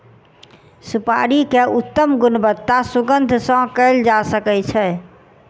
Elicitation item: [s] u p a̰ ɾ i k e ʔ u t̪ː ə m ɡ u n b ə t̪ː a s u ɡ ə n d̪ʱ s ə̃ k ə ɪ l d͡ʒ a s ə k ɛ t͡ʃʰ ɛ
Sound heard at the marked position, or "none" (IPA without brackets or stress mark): s